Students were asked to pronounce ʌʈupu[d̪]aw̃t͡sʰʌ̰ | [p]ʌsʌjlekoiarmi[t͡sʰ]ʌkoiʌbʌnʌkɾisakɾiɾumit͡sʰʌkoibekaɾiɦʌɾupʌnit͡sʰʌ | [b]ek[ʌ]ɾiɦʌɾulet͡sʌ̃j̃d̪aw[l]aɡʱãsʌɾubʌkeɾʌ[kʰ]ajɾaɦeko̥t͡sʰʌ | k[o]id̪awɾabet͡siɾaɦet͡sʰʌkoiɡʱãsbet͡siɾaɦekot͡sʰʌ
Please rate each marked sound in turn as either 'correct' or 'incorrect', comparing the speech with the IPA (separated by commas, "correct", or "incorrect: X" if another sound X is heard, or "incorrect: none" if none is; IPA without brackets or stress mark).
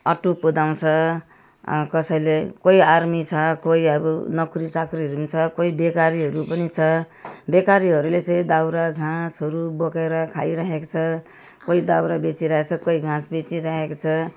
correct, incorrect: k, correct, correct, incorrect: a, incorrect: ɾ, correct, correct